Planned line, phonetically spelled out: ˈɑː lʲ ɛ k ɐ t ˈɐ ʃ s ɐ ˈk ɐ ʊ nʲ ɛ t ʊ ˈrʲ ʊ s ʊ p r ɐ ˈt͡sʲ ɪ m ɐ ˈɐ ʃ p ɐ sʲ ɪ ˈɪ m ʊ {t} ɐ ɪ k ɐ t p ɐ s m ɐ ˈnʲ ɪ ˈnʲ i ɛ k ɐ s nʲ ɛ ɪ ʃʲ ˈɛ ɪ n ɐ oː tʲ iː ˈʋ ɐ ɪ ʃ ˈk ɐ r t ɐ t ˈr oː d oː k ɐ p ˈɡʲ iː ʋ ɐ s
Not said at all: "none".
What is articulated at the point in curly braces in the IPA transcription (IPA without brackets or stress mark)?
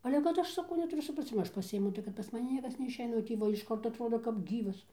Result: t